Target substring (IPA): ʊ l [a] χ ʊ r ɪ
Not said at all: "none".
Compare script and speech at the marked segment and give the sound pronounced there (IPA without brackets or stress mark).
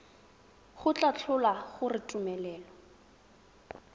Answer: a